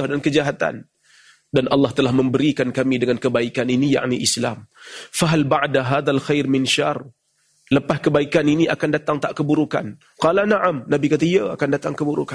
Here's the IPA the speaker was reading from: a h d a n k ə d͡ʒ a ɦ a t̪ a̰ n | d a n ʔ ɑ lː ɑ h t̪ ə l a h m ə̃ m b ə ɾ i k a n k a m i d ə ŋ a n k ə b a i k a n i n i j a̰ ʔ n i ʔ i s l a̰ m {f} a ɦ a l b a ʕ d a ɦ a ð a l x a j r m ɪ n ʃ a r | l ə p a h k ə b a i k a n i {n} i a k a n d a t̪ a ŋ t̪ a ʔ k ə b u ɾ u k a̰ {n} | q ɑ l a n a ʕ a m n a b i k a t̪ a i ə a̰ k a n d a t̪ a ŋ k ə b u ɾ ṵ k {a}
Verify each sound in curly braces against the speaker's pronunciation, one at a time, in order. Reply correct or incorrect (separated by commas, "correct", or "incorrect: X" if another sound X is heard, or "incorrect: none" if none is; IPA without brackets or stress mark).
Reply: correct, correct, correct, correct